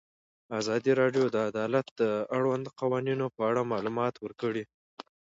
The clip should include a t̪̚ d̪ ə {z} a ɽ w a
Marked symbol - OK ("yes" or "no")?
no